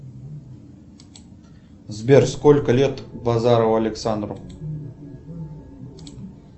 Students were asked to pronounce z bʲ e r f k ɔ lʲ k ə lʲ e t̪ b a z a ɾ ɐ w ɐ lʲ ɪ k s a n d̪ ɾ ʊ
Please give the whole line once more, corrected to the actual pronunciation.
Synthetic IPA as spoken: z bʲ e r s k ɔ lʲ k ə lʲ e t̪ b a z a ɾ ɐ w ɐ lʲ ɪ k s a n d̪ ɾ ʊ